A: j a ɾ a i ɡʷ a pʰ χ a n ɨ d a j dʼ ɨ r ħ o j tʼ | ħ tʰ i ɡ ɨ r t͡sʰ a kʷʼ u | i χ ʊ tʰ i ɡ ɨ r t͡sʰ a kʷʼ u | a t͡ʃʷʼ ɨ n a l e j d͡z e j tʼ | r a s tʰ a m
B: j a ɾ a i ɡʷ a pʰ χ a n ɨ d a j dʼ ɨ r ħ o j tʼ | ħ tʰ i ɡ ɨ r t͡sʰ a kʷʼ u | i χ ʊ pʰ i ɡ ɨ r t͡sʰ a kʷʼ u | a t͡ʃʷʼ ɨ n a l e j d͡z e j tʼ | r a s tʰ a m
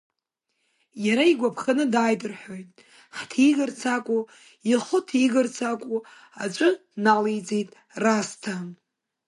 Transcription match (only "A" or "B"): A